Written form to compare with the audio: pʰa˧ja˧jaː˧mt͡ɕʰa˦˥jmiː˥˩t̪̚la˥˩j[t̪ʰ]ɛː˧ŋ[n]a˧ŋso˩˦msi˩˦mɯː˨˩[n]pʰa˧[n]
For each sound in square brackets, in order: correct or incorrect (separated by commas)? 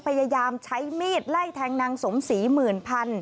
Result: correct, correct, correct, correct